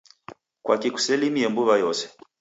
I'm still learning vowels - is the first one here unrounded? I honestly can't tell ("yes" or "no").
yes